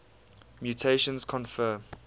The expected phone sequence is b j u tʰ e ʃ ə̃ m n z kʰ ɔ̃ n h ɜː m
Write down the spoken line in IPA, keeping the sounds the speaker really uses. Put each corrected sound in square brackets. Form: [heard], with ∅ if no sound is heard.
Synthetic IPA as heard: [m] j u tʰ e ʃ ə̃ [∅] n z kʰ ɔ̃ n [f] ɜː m